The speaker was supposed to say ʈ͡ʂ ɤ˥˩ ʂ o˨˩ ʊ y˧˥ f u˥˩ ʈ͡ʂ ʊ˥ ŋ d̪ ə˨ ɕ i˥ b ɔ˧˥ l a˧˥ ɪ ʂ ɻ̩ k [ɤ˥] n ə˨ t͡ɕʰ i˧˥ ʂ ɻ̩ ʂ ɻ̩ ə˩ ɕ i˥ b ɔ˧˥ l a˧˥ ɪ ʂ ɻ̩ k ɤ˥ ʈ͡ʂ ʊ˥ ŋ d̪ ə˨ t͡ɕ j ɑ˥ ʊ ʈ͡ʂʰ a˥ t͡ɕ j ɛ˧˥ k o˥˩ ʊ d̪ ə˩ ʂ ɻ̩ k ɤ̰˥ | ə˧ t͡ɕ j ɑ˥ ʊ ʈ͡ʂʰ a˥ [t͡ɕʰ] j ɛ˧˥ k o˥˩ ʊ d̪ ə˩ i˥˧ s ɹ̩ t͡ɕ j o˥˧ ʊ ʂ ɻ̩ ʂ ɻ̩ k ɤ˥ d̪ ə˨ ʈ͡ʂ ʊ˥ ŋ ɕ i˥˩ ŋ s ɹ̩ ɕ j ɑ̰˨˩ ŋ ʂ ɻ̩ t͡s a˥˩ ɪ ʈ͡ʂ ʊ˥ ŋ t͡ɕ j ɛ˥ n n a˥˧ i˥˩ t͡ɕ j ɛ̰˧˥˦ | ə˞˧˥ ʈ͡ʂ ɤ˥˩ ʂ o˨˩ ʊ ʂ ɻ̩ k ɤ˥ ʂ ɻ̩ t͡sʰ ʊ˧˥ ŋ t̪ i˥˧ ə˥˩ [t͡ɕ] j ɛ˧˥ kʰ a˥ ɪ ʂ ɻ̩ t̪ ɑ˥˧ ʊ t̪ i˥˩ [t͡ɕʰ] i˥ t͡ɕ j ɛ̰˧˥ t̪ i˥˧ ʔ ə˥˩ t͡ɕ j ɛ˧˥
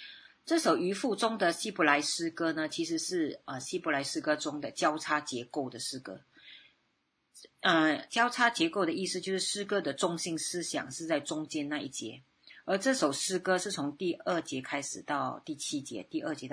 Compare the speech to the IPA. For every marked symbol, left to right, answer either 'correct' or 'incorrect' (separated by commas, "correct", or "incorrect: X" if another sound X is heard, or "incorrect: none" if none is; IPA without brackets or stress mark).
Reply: correct, incorrect: t͡ɕ, correct, correct